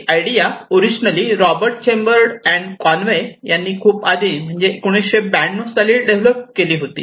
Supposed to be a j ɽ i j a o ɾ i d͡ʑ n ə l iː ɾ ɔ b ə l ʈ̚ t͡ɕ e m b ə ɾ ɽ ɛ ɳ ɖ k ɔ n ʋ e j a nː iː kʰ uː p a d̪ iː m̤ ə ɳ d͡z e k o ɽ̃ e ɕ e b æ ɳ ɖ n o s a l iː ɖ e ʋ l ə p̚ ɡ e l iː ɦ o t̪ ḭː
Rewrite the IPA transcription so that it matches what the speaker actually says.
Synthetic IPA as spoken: a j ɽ i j a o ɾ i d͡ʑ n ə l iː ɾ ɔ b ə ɾ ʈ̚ t͡ɕ e m b ə ɾ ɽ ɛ ɳ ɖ k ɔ n ʋ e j a nː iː kʰ uː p a d̪ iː m̤ ə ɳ d͡z e k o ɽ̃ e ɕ e b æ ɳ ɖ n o s a l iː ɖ e ʋ l ə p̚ k e l iː ɦ o t̪ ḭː